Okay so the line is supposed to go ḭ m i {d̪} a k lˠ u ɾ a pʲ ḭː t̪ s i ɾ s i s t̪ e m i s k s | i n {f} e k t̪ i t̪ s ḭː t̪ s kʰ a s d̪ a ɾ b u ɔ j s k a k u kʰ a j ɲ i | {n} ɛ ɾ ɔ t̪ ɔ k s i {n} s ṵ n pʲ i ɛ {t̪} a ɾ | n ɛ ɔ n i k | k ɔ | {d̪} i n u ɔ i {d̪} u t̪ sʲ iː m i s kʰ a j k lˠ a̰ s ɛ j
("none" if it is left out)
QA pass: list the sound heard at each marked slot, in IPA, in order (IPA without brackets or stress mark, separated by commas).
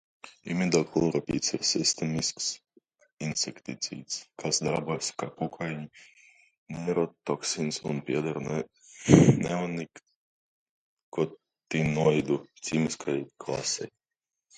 d̪, s, n, n, d̪, t̪, d̪